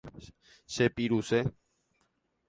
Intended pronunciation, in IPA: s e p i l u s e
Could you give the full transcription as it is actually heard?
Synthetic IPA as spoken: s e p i ɾ u s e

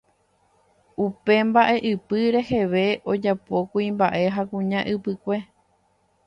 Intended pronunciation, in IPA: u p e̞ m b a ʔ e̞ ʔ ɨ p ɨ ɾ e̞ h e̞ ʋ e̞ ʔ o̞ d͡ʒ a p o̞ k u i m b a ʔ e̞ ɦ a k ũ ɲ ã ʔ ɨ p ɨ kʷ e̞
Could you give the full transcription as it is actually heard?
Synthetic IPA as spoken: u p e̞ m b a ʔ e̞ ʔ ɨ p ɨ ɾ e̞ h e̞ ʋ e̞ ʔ o̞ d͡ʒ a p o̞ k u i m b a ʔ e̞ ɦ a k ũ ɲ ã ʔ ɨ p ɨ kʷ e̞

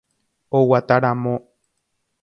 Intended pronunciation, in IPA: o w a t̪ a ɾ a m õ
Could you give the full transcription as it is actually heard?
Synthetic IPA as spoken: o w a t̪ a ɾ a m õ

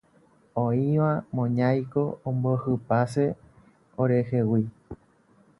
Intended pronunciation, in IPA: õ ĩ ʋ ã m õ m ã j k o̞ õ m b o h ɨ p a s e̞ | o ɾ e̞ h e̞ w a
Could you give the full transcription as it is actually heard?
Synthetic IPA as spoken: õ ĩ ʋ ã m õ ɲ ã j k o̞ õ m b o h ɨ p a s e̞ | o ɾ e̞ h e̞ w i

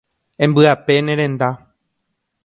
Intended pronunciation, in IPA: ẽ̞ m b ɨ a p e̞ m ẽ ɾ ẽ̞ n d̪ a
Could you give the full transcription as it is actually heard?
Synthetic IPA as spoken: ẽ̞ m b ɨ a p e̞ n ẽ ɾ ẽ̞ n d̪ a

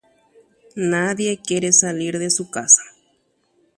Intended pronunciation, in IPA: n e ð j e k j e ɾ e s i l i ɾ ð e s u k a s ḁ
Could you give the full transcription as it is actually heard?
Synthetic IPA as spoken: n a ð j e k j e ɾ e s a l i ɾ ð e s u k a s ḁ

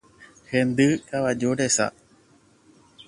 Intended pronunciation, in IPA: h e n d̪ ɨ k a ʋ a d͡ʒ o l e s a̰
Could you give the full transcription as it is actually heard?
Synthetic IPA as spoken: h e n d̪ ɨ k a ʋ a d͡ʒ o ɾ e s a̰

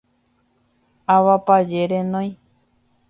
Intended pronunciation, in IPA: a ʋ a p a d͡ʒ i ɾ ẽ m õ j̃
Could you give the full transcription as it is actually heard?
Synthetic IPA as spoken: a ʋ a p a d͡ʒ e ɾ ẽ n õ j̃

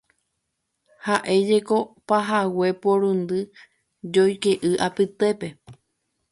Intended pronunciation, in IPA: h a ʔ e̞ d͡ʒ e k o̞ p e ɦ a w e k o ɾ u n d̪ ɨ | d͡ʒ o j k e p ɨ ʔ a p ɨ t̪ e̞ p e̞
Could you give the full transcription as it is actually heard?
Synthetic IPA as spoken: h a ʔ e̞ d͡ʒ e k o̞ p a ɦ a w e p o ɾ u n d̪ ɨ | d͡ʒ o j k e ʔ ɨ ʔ a p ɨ t̪ e̞ p e̞

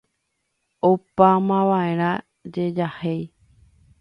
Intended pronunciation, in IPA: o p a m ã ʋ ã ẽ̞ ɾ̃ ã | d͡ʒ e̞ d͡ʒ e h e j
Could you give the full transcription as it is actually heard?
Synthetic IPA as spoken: o p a m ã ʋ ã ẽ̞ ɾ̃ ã | d͡ʒ e̞ d͡ʒ a h e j

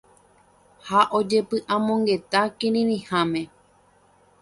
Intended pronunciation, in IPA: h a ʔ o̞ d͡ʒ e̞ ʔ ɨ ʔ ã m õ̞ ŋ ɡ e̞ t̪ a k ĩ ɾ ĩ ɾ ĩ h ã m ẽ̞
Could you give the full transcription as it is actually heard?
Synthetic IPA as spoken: h a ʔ o̞ d͡ʒ e̞ p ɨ ʔ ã m õ̞ ŋ ɡ e̞ t̪ a k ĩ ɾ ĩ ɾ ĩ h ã m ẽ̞

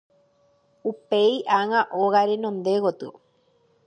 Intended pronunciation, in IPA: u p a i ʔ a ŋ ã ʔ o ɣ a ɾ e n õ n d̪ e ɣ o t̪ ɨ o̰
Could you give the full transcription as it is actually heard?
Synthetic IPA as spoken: u p e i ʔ a ŋ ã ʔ o ɣ a ɾ e n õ n d̪ e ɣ o t̪ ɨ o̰

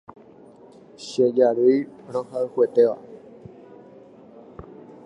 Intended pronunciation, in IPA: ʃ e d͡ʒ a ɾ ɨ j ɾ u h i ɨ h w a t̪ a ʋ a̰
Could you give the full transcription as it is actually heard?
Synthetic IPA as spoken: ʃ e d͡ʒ a ɾ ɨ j ɾ o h a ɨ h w e t̪ e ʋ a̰

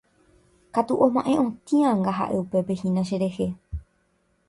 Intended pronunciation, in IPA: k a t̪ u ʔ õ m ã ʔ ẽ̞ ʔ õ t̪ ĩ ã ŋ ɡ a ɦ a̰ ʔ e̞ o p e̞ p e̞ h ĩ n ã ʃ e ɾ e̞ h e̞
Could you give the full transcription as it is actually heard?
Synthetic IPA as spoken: k a t̪ u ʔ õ m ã ʔ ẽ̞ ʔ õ t̪ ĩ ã ŋ ɡ a ɦ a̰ ʔ e̞ u p e̞ p e̞ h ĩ n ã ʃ e ɾ e̞ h e̞

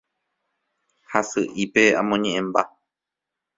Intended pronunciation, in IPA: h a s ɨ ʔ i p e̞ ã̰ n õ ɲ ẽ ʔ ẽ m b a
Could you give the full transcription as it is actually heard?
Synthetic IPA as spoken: h a s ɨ ʔ i p e̞ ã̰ m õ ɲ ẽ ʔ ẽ m b a

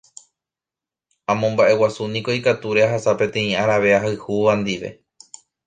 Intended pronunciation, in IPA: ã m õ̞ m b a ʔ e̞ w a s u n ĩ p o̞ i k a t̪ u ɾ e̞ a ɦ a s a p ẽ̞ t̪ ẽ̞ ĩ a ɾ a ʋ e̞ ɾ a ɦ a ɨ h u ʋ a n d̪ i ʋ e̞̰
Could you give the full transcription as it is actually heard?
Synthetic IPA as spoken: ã m õ̞ m b a ʔ e̞ w a s u n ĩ k o̞ i k a t̪ u ɾ e̞ a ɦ a s a p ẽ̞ t̪ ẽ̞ ĩ a ɾ a ʋ e̞ a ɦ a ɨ h u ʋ a n d̪ i ʋ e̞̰

